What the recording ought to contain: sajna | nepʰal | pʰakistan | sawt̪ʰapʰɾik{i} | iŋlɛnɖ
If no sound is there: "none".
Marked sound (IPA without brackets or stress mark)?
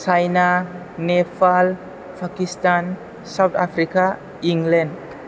a